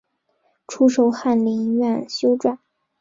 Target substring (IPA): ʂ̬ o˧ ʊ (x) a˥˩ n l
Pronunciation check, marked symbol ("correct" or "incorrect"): correct